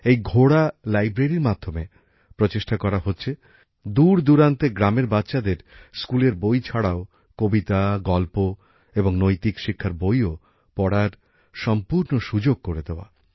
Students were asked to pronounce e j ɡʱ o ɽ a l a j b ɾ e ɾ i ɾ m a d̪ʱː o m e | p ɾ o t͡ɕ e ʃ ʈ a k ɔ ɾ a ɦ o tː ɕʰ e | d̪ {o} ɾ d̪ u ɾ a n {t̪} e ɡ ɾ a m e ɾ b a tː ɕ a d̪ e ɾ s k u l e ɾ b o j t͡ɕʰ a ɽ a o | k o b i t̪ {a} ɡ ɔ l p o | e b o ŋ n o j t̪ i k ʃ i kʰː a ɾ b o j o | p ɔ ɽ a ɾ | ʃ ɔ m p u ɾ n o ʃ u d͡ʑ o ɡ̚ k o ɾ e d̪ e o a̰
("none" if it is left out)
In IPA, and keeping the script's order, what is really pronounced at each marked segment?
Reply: u, t̪, a

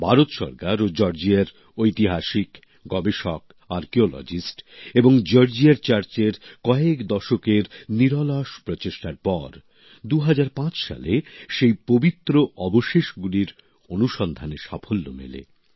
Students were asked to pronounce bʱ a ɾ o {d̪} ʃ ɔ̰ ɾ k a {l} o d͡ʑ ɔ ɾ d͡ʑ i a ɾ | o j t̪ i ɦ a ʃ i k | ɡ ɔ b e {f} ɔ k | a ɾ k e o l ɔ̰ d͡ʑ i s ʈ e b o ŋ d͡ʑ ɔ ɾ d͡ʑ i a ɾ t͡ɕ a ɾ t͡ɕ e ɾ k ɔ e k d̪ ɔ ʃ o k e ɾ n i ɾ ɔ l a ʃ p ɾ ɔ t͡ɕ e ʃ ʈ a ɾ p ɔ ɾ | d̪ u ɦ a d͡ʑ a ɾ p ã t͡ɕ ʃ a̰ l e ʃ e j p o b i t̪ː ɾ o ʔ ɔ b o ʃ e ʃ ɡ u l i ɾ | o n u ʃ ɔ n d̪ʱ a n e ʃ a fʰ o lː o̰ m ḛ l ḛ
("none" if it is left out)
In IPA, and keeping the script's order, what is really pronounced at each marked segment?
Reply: t̪, ɾ, ʃ

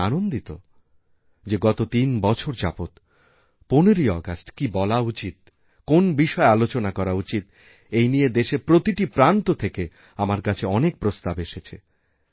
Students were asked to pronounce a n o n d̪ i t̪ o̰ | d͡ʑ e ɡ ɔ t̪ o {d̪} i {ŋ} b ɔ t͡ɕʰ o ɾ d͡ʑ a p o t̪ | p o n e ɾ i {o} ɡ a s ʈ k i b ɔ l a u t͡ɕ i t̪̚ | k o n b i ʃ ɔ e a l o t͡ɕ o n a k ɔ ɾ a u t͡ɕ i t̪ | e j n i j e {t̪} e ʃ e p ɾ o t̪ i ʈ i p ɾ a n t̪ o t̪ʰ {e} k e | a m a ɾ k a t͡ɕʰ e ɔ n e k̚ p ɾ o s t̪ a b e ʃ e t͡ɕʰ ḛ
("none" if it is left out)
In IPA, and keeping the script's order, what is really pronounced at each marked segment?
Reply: t̪, n, ɔ, d̪, e

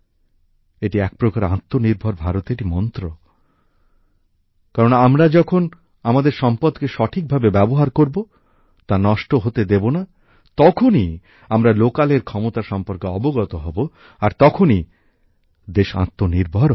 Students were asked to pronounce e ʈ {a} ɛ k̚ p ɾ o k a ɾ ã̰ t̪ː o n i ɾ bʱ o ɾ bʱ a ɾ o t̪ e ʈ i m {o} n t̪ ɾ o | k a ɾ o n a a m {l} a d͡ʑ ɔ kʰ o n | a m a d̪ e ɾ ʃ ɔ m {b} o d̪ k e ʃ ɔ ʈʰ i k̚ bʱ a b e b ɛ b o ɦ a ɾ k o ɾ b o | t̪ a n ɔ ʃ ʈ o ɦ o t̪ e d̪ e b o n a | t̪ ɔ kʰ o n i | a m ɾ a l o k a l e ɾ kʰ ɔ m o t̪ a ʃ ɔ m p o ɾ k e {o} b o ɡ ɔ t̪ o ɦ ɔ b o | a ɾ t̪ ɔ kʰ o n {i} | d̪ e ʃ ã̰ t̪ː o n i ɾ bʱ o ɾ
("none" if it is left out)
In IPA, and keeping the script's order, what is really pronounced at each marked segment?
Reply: i, ɔ, ɾ, p, ɔ, i

